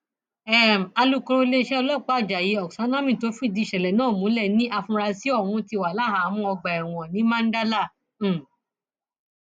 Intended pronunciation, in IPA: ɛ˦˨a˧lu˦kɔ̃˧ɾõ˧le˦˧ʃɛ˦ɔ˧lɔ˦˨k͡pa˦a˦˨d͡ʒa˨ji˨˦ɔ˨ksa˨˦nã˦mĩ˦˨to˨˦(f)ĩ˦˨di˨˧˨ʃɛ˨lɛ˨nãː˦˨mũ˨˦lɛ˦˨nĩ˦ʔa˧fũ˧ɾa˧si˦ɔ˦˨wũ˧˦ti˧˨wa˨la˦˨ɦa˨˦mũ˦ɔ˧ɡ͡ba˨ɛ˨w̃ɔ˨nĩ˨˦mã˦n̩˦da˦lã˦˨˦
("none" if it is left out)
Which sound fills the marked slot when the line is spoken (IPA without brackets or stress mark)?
f